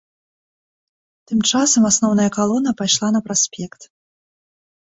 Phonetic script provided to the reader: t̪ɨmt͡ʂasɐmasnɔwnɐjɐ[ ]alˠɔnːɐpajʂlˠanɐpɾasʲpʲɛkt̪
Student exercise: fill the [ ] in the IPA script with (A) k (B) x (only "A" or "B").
A